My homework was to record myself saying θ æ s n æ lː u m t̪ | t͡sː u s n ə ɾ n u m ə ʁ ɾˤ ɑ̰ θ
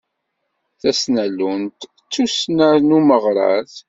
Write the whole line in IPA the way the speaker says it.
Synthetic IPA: θ æ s n æ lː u n t̪ | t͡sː u s n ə ɾ n u m ə ʁ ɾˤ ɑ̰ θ